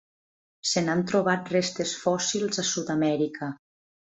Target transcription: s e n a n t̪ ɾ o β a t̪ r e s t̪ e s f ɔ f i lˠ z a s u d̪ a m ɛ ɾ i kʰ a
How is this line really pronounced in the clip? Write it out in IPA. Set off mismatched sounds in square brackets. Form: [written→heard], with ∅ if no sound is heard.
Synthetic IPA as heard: s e n a n t̪ ɾ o β a t̪ r e s t̪ e s f ɔ [f→s] i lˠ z a s u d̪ a m ɛ ɾ i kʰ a